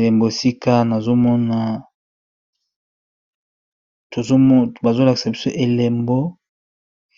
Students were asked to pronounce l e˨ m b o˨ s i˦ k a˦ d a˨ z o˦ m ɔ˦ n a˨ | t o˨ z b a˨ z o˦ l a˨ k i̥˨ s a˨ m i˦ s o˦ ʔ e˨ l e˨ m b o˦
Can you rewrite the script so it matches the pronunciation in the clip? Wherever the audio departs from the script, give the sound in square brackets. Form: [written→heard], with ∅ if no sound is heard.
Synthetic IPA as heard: l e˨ m b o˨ s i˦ k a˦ [d→n] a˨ z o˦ m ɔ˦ n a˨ | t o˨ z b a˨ z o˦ l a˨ k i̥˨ s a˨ [m→b] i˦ s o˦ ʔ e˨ l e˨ m b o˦